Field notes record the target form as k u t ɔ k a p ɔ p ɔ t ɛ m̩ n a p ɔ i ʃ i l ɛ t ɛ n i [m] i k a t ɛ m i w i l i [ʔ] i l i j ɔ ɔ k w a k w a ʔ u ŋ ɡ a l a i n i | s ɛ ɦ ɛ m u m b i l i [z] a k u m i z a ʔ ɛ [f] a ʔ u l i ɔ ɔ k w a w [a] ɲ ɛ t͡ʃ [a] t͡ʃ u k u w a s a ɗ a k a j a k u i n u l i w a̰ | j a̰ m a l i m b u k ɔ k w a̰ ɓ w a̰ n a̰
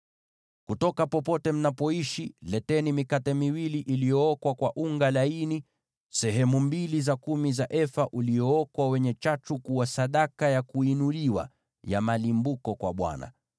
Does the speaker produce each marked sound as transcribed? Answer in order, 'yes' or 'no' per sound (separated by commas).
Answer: yes, yes, yes, yes, no, yes